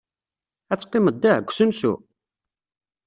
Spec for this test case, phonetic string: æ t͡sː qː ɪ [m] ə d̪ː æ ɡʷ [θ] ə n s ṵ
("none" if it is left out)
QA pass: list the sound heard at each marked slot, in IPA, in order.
m, s

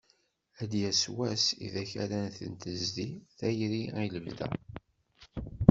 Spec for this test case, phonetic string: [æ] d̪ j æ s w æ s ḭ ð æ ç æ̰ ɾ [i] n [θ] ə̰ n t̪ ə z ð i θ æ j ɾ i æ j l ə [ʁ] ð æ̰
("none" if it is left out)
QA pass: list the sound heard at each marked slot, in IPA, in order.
æ, æ, θ, v

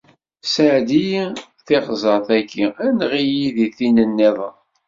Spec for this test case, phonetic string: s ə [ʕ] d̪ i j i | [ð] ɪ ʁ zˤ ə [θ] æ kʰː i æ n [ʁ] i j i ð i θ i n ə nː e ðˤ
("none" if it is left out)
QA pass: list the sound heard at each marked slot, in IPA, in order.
ʕ, θ, θ, ʁ

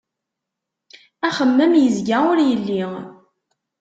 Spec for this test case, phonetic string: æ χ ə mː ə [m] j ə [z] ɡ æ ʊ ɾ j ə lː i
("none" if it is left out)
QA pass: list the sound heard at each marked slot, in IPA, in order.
m, z

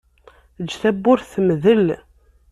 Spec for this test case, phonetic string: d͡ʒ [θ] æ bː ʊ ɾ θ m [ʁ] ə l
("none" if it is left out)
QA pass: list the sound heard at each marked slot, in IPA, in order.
θ, ð

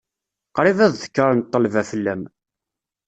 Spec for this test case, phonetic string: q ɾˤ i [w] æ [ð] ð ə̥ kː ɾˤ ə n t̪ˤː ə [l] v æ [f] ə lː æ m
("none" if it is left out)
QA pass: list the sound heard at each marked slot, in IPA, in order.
v, ð, l, f

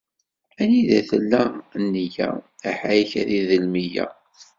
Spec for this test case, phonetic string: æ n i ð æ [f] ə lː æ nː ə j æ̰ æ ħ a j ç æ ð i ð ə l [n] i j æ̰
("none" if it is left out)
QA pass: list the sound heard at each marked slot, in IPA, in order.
θ, m

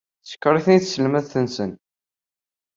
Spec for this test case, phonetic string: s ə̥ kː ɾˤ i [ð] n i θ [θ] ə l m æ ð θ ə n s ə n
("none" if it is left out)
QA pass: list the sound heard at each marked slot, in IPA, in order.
θ, s

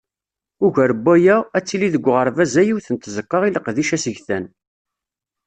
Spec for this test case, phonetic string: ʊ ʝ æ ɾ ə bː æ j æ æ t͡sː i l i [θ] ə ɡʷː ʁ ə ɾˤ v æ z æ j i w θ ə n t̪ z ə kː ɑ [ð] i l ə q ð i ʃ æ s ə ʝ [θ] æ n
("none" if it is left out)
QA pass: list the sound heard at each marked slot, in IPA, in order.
ð, ʁ, θ

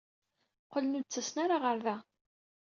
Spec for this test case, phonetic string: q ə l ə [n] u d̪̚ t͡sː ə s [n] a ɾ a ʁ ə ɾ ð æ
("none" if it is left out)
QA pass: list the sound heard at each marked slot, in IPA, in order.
n, n

